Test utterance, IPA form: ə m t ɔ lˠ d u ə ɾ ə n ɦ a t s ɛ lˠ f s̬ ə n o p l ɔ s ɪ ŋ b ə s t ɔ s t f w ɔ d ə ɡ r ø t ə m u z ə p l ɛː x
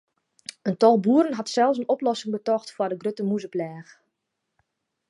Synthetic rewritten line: ə n t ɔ lˠ b u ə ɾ ə n ɦ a t s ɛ lˠ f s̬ ə n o p l ɔ s ɪ ŋ b ə t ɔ x t f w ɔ d ə ɡ r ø t ə m u z ə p l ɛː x